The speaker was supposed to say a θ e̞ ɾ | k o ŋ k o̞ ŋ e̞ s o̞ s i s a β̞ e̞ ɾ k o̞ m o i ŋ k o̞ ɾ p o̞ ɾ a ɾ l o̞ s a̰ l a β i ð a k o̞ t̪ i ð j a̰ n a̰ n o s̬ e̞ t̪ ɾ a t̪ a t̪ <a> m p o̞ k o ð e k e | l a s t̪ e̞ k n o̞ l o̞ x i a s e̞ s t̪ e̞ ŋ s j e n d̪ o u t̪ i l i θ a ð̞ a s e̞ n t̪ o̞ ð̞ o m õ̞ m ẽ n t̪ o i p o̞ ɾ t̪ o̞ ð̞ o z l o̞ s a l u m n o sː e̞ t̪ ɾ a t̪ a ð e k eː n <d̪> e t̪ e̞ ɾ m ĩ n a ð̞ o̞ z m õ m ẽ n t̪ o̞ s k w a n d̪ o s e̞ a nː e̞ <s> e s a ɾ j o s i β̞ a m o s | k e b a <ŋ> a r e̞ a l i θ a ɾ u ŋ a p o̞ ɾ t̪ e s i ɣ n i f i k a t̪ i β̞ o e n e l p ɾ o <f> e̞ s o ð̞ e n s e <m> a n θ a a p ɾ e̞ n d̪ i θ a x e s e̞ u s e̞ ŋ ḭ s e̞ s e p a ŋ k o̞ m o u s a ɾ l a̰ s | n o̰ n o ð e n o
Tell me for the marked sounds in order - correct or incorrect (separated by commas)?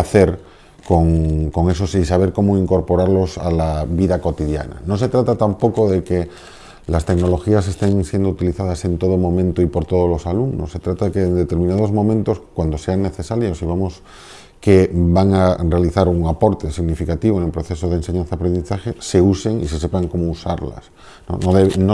correct, correct, incorrect, correct, incorrect, incorrect